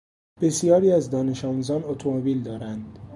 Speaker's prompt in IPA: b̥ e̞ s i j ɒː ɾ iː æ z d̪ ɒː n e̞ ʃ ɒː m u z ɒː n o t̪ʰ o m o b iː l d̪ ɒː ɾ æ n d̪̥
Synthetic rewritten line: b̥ e̞ s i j ɒː ɾ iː æ z d̪ ɒː n e̞ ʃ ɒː m u z ɒː n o t̪ʰ o m o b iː l d̪ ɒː ɾ æ n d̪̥